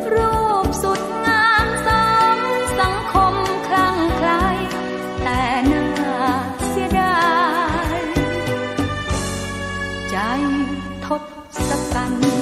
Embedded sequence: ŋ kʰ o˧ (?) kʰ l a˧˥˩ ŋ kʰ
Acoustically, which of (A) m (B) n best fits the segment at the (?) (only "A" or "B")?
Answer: A